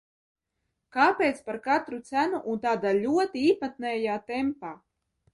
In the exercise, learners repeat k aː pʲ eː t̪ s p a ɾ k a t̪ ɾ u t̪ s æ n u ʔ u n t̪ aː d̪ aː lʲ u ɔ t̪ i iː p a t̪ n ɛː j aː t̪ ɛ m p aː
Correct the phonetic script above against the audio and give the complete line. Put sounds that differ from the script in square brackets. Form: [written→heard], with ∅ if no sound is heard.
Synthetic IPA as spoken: k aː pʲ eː t̪ s p a ɾ k a t̪ ɾ u t̪ s æ n u ʔ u n t̪ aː d̪ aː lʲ u ɔ t̪ i iː p a t̪ n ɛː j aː t̪ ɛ m p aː